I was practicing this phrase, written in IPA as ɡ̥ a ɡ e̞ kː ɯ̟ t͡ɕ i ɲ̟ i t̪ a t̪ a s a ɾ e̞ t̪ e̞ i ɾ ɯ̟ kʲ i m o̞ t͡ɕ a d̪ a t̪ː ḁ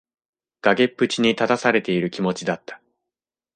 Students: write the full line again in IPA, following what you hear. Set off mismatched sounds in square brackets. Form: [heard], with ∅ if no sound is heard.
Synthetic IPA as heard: ɡ̥ a ɡ e̞ [pː] ɯ̟ t͡ɕ i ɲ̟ i t̪ a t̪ a s a ɾ e̞ t̪ e̞ i ɾ ɯ̟ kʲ i m o̞ t͡ɕ [i] d̪ a t̪ː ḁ

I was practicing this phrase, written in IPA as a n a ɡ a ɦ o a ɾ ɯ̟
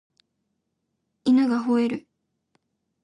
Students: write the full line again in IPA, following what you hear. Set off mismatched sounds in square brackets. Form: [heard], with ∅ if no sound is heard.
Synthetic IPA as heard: [i] n a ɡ a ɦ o [e] ɾ ɯ̟

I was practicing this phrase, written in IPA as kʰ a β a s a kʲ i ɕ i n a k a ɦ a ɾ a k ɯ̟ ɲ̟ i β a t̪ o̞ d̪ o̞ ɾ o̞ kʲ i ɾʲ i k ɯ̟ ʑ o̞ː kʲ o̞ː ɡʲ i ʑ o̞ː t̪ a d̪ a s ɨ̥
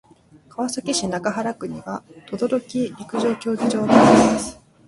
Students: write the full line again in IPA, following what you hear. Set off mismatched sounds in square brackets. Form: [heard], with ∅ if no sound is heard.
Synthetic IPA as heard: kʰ a β a s a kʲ i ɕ i n a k a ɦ a ɾ a k ɯ̟ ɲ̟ i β a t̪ o̞ d̪ o̞ ɾ o̞ kʲ i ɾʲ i k ɯ̟ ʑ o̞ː kʲ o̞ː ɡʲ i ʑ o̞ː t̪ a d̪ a s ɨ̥

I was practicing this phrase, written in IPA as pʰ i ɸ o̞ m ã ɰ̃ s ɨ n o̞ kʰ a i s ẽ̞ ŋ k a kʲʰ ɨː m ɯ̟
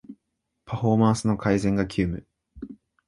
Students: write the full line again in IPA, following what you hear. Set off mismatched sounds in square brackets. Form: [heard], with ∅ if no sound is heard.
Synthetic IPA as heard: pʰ [a] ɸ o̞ m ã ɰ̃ s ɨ n o̞ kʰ a i [z] ẽ̞ ŋ [ɡ] a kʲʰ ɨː m ɯ̟

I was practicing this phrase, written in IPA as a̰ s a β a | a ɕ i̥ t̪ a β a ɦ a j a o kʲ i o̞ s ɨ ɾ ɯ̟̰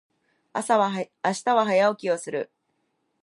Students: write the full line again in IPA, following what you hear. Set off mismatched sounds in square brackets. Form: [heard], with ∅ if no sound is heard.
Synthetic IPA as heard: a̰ s a β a | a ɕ i̥ t̪ a β a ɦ a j a o kʲ i o̞ s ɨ ɾ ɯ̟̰

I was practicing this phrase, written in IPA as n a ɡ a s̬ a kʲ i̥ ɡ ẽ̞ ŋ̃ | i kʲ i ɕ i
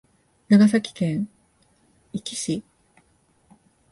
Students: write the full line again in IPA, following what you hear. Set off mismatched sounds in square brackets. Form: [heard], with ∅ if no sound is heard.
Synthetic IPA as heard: n a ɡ a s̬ a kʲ i̥ [k] ẽ̞ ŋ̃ | i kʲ i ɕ i

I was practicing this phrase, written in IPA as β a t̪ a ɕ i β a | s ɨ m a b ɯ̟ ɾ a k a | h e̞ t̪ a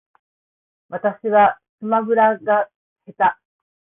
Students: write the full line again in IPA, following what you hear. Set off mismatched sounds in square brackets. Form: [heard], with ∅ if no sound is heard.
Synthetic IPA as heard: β a t̪ a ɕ i β a | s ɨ m a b ɯ̟ ɾ a [ɡ] a | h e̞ t̪ a

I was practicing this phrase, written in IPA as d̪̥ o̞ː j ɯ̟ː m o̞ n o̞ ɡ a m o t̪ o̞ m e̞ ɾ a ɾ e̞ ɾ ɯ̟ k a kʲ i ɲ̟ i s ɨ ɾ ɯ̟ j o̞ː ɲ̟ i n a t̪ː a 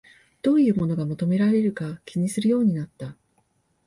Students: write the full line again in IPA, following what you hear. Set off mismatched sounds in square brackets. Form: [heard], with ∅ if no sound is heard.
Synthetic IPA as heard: d̪̥ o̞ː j ɯ̟ː m o̞ n o̞ ɡ a m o t̪ o̞ m e̞ ɾ a ɾ e̞ ɾ ɯ̟ k a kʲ i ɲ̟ i s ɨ ɾ ɯ̟ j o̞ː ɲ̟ i n a t̪ː a

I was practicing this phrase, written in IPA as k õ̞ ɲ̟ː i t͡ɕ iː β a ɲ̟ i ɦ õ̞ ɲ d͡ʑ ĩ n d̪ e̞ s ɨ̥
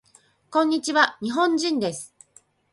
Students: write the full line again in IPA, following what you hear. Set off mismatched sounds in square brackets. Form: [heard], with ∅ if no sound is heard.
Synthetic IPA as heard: k õ̞ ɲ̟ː i t͡ɕ [i] β a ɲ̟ i ɦ õ̞ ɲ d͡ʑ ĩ n d̪ e̞ s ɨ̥

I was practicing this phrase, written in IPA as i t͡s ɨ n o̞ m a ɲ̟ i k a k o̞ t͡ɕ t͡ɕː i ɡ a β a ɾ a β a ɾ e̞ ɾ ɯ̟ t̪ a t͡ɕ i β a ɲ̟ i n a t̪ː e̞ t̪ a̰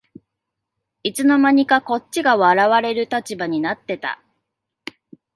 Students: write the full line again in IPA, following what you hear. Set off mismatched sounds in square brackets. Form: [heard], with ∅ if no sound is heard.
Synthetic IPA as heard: i t͡s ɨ n o̞ m a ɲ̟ i k a k o̞ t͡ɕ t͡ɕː i ɡ a β a ɾ a β a ɾ e̞ ɾ ɯ̟ t̪ a t͡ɕ i [b] a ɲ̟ i n a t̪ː e̞ t̪ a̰

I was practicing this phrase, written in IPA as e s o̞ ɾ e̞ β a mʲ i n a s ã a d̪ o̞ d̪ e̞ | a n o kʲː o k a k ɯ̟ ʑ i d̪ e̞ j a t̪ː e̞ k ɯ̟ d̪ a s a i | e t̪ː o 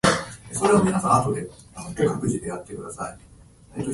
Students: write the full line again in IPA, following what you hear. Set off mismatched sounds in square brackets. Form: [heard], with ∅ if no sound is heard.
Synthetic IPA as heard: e s o̞ ɾ e̞ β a mʲ i n a s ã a [t̪] o̞ d̪ e̞ | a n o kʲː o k a k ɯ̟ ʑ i d̪ e̞ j a t̪ː e̞ k ɯ̟ d̪ a s a i | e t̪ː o

